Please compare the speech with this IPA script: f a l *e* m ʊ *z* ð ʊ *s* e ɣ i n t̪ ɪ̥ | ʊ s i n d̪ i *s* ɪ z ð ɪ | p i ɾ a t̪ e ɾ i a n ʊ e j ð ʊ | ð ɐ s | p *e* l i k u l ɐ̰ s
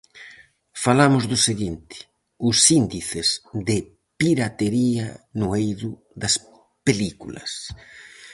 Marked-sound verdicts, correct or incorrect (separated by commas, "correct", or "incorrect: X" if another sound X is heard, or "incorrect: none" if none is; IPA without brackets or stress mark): incorrect: a, correct, correct, incorrect: θ, correct